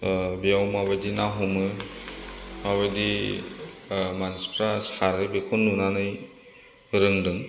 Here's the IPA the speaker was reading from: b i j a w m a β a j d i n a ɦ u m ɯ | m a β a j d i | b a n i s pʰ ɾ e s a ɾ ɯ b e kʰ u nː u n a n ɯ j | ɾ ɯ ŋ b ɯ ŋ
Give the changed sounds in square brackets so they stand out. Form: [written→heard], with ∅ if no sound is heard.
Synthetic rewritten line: b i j a w m a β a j d i n a ɦ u m ɯ | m a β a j d i | [b→m] a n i s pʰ ɾ [e→a] s a ɾ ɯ b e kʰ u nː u n a n ɯ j | ɾ ɯ ŋ [b→d] ɯ ŋ